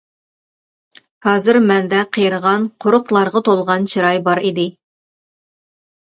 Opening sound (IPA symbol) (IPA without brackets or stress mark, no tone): h